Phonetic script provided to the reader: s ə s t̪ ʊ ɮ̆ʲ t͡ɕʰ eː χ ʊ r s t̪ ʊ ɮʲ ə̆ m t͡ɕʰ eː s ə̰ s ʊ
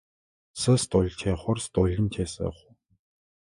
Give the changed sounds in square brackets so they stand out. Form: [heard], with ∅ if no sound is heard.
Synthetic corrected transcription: s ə s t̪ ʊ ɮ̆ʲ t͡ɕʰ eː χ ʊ r s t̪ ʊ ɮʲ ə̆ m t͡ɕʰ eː s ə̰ [χ] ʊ